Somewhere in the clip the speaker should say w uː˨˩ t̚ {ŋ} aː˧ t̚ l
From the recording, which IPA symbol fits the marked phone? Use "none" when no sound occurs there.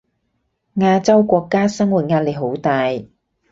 ŋ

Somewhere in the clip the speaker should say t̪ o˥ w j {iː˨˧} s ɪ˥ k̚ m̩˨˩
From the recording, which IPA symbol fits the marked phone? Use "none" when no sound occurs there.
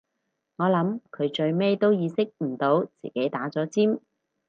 iː˨˧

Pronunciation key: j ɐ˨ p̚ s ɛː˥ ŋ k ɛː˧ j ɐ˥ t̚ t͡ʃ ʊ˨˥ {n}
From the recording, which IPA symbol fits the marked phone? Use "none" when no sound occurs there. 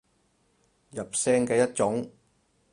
ŋ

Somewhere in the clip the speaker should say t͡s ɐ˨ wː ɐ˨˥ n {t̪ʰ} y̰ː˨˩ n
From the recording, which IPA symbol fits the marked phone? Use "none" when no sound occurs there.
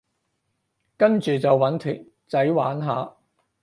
t̪ʰ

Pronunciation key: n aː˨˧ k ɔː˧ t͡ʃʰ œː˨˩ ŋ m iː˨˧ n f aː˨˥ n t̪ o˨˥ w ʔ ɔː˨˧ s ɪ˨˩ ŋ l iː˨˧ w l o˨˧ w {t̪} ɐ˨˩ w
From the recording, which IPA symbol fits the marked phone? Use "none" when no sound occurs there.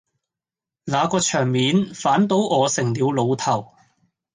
t̪ʰ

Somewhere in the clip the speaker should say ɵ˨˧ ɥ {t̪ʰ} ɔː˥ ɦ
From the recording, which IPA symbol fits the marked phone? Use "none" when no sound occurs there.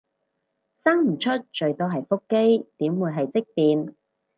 t̪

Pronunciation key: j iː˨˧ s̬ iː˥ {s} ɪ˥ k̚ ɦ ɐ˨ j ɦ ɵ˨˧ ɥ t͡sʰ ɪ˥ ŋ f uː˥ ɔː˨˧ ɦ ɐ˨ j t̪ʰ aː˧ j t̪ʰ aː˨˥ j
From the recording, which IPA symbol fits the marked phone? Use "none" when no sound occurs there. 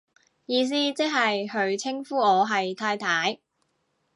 t͡s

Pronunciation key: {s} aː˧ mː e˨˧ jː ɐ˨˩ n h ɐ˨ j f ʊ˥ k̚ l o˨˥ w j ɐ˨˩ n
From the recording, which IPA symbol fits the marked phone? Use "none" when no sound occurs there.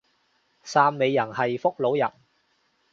s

